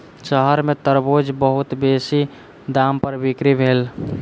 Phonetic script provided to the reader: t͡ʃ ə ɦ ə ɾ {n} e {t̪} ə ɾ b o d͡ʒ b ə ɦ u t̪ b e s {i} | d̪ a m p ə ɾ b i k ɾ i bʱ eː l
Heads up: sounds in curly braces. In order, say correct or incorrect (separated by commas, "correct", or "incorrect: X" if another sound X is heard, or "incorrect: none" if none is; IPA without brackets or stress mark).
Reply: incorrect: m, correct, correct